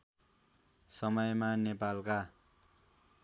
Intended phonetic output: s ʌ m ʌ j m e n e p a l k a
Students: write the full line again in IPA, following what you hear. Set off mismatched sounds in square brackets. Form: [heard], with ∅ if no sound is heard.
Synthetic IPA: s ʌ m ʌ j m [a] n e p a l k a

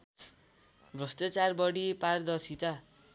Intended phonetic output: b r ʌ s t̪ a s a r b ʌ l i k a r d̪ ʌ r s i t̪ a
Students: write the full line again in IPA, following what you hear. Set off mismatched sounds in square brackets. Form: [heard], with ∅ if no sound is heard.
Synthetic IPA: b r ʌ s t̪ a [t͡s] a r b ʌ [ɽ] i [p] a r d̪ ʌ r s i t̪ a

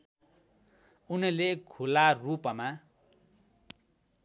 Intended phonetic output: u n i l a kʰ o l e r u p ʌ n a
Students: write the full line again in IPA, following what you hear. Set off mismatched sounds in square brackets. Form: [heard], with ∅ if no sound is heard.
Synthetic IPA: u n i l [e] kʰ [u] l [a] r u p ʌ [m] a

